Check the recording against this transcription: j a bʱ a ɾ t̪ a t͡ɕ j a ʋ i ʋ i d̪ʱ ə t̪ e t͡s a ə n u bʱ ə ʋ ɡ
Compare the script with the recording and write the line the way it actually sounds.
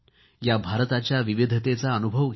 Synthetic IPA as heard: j a bʱ a ɾ t̪ a t͡ɕ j a ʋ i ʋ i d̪ʱ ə t̪ e t͡s a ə n u bʱ ə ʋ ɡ

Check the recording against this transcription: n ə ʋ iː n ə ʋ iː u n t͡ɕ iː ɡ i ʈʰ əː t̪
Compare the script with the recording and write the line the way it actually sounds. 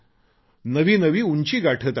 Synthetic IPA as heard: n ə ʋ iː n ə ʋ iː u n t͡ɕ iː ɡ a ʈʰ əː t̪

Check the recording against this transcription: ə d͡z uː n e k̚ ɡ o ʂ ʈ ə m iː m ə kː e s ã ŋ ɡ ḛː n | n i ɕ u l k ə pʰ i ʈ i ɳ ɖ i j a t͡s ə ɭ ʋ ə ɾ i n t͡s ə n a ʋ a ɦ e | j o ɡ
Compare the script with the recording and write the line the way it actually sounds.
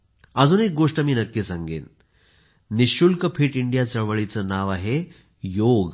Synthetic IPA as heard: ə d͡z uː n e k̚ ɡ o ʂ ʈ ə m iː n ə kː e s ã ŋ ɡ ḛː n | n i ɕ u l k ə pʰ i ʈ i ɳ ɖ i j a t͡s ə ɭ ʋ ə ɭ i t͡s ə n a ʋ a ɦ e | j o ɡ

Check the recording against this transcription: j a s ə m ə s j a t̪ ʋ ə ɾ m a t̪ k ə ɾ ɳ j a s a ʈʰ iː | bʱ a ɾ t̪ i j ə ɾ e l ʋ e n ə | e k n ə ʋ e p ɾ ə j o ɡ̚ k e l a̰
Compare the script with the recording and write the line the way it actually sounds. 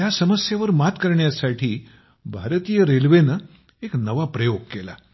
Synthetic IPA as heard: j a s ə m ə s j a ʋ ə ɾ m a t̪ k ə ɾ ɳ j a s a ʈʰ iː | bʱ a ɾ t̪ i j ə ɾ e l ʋ e n ə | e k n ə ʋ a p ɾ ə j o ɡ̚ k e l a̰

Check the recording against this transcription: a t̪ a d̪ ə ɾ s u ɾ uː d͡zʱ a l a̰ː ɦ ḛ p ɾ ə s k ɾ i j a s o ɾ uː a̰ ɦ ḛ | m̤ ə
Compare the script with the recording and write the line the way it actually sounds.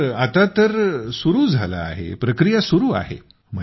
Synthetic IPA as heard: a t̪ a t̪ ə ɾ s u ɾ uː d͡zʱ a l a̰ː ɦ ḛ p ɾ ə k ɾ i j a s u ɾ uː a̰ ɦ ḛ | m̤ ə

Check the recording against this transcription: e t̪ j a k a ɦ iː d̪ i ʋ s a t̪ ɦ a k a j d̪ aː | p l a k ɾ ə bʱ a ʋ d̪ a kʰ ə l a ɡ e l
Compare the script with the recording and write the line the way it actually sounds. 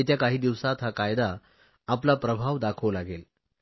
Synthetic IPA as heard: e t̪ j a k a ɦ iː d̪ i ʋ s a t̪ ɦ a k a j d̪ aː | p l a p ɾ ə bʱ a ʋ d̪ a kʰ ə l a ɡ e l

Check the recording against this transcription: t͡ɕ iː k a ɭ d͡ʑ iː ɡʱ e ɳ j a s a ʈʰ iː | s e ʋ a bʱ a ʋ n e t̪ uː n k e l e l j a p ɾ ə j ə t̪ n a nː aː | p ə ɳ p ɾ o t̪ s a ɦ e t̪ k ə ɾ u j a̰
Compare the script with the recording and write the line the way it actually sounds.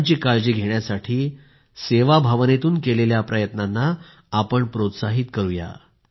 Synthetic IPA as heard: t͡ɕ iː k a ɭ d͡ʑ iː ɡʱ e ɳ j a s a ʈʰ iː | s e ʋ a bʱ a ʋ n e t̪ uː n k e l e l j a p ɾ ə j ə t̪ n a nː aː | p ə ɳ p ɾ o t̪ s a ɦ i t̪ k ə ɾ u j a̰

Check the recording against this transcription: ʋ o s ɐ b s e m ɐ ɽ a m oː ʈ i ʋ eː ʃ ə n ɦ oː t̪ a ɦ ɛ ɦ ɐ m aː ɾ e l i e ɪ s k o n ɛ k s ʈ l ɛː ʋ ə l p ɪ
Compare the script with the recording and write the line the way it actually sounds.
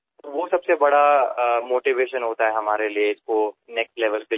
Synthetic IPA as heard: ʋ o s ɐ b s e b ɐ ɽ a m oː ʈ i ʋ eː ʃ ə n ɦ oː t̪ a ɦ ɛ ɦ ɐ m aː ɾ e l i e ɪ s k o n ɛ k s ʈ l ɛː ʋ ə l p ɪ

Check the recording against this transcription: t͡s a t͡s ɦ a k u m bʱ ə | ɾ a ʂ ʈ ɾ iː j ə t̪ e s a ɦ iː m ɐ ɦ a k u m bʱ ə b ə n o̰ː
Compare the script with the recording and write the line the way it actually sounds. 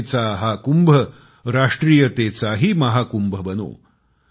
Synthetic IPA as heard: t͡s a ɦ a k u m bʱ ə | ɾ a ʂ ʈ ɾ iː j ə t̪ e t͡s a ɦ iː m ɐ ɦ a k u m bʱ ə b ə n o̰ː

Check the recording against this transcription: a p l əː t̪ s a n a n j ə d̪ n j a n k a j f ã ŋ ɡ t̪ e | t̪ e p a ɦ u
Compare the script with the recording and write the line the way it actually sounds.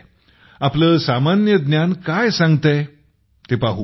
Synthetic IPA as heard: a p l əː s a m a n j ə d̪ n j a n k a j s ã ŋ ɡ t̪ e | t̪ e p a ɦ u

